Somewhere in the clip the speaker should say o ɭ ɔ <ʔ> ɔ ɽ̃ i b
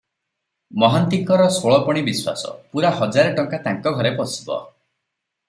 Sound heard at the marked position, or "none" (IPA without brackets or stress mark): p